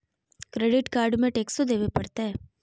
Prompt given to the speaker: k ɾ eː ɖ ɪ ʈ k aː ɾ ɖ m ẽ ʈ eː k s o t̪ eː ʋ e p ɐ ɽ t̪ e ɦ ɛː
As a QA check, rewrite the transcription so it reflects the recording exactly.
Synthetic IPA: k ɾ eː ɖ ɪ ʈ k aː ɾ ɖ m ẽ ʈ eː k s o d̪ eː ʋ e p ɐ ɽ t̪ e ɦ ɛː